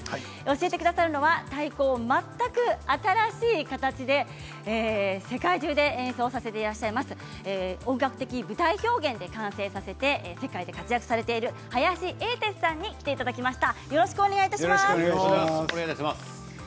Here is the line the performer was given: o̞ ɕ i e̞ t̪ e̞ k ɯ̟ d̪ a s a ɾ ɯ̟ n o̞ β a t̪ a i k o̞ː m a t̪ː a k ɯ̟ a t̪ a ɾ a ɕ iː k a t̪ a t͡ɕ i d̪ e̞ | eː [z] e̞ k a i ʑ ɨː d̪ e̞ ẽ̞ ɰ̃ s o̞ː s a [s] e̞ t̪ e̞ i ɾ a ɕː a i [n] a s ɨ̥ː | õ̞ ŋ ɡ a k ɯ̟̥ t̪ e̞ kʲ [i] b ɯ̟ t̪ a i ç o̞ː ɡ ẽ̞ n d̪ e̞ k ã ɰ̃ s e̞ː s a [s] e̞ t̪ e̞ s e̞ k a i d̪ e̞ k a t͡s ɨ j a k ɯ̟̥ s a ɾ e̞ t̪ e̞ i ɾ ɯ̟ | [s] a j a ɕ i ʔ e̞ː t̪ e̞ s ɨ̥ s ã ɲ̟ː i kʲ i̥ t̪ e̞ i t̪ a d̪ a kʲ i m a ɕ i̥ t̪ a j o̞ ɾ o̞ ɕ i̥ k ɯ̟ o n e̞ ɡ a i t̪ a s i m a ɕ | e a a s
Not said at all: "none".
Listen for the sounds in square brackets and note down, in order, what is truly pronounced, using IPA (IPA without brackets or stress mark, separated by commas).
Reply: s, s, m, i, s, h